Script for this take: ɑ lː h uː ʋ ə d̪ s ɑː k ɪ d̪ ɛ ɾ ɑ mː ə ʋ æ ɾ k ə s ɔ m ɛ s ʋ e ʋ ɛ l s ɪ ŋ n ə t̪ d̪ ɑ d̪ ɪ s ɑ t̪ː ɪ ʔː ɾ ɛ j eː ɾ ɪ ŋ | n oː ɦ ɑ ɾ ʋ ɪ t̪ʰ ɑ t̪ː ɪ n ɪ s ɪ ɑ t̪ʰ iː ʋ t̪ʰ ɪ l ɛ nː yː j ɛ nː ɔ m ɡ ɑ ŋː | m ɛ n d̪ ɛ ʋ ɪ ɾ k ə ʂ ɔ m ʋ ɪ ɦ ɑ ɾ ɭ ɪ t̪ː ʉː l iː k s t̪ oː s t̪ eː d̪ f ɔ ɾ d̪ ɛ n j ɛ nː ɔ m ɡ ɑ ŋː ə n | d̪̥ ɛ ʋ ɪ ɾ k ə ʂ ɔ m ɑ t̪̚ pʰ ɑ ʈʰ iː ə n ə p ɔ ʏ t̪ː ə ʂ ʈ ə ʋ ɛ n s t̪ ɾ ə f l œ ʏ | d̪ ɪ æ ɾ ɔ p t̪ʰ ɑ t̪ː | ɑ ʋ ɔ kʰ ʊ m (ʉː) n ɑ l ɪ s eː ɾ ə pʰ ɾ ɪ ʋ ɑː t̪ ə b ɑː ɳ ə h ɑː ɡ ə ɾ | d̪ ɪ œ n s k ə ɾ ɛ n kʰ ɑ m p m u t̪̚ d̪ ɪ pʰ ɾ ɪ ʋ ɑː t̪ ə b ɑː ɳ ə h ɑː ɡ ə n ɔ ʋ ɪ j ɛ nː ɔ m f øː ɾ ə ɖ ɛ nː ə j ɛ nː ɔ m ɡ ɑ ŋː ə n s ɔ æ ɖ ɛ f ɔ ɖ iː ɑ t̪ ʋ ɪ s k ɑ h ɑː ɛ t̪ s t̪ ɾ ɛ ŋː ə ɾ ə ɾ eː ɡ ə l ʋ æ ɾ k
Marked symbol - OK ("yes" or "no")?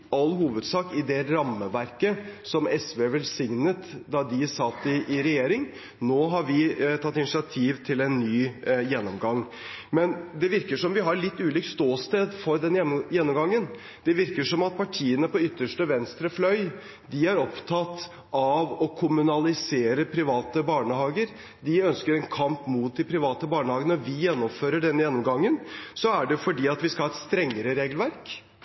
no